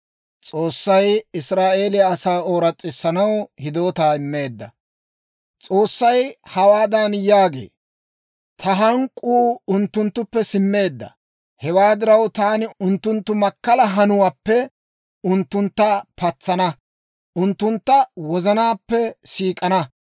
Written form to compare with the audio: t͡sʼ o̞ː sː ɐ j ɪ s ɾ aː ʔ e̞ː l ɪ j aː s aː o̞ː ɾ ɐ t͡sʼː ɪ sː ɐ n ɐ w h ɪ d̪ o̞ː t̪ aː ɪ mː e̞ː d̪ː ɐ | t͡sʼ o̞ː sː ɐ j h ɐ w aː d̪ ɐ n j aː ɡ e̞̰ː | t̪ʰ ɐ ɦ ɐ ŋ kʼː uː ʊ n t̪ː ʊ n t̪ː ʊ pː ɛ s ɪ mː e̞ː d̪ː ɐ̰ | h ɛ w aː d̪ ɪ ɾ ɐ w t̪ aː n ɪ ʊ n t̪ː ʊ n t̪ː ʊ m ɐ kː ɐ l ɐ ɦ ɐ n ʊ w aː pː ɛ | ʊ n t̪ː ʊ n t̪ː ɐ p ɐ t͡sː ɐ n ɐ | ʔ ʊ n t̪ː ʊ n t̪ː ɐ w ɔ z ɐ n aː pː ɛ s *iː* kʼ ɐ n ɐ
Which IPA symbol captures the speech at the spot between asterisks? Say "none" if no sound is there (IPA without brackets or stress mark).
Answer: iː